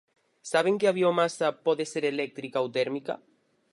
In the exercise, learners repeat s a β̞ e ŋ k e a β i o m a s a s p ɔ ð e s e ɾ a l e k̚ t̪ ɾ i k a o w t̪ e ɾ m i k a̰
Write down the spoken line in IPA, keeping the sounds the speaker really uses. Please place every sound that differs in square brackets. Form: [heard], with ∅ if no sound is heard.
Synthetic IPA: s a β̞ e ŋ k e a β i o m a s a [∅] p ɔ ð e s e ɾ [e] l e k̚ t̪ ɾ i k a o w t̪ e ɾ m i k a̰